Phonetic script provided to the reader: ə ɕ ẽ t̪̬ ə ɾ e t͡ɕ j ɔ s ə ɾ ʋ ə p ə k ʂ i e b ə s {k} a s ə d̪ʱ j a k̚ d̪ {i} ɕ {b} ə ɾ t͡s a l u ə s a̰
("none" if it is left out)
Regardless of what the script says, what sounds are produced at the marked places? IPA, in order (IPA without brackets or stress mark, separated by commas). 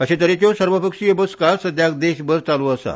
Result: k, e, b